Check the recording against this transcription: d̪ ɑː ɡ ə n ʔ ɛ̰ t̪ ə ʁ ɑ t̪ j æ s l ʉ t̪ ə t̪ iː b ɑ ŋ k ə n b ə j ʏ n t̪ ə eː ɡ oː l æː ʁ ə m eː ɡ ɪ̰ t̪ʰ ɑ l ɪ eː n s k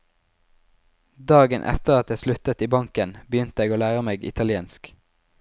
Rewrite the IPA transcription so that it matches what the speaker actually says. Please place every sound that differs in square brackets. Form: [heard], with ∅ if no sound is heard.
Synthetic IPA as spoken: d̪ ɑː ɡ ə n ʔ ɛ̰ t̪ ə ʁ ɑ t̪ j æ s l ʉ t̪ ə t̪ iː b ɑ ŋ k ə n b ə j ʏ n t̪ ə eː ɡ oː l æː ʁ ə m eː ɡ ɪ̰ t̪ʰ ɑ l ɪ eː n s k